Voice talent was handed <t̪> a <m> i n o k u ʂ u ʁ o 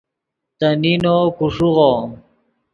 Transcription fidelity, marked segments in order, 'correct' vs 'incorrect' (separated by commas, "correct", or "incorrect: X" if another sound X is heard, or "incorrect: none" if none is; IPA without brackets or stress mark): correct, incorrect: n